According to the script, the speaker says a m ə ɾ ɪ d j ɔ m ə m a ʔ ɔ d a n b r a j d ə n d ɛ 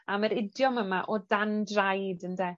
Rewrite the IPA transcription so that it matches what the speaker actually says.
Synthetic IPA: a m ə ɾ ɪ d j ɔ m ə m a ʔ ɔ d a n d r a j d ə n d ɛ